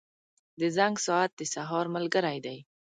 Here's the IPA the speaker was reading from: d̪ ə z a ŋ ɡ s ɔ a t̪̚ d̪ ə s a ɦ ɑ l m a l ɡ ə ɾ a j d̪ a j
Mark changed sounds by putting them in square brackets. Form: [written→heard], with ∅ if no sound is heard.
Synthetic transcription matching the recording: d̪ ə z a ŋ ɡ s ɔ a t̪̚ d̪ ə s a ɦ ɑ [l→ɾ] m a l ɡ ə ɾ a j d̪ a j